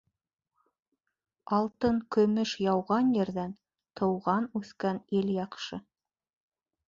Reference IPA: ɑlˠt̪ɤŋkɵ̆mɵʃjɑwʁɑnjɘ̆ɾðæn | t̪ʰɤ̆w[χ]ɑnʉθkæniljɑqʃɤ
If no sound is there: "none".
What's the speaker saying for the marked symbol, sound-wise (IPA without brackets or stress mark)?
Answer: ʁ